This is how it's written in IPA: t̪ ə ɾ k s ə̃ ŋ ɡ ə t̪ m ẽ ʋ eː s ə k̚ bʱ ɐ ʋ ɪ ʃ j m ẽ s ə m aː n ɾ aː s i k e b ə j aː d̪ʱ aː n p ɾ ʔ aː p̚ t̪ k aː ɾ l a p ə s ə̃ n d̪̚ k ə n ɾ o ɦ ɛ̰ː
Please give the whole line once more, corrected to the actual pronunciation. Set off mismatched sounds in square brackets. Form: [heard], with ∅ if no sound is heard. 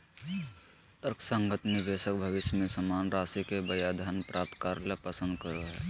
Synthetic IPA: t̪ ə ɾ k s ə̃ ŋ ɡ ə t̪ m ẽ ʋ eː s ə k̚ bʱ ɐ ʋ ɪ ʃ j m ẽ s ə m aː n ɾ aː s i k e b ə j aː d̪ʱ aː n p ɾ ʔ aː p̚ t̪ k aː ɾ l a p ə s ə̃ n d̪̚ k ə [∅] ɾ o ɦ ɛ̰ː